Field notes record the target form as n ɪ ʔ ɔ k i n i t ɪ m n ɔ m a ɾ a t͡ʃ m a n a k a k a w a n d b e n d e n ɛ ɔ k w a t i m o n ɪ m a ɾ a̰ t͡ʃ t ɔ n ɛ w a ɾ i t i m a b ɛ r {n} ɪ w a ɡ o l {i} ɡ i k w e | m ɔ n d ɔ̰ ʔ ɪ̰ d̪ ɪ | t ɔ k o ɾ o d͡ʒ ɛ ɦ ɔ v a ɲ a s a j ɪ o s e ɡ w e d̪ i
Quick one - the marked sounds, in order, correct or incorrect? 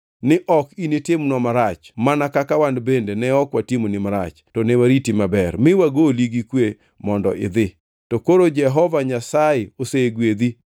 incorrect: m, correct

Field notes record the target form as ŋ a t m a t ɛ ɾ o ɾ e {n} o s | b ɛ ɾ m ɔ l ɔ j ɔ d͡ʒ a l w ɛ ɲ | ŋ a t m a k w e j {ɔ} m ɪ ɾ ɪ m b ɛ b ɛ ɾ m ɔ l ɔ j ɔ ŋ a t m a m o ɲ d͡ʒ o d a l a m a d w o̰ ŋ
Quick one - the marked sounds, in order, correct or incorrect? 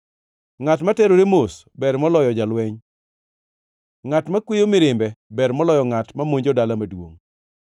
incorrect: m, incorrect: o

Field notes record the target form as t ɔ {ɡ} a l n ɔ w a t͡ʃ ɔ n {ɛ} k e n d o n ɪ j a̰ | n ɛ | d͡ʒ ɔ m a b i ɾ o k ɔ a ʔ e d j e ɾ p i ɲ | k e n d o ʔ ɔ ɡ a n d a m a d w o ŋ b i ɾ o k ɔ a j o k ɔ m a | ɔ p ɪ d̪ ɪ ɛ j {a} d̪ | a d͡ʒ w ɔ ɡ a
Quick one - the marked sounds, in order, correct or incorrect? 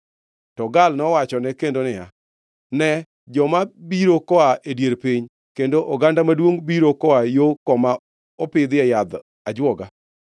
correct, correct, correct

